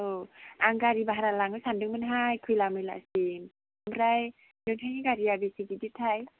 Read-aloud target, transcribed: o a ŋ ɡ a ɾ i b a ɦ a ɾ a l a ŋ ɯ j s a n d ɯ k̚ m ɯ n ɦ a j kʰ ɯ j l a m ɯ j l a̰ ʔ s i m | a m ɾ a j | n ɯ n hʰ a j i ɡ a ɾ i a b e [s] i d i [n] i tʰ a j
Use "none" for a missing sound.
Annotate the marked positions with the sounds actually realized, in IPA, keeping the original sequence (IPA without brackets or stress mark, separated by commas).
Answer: s, d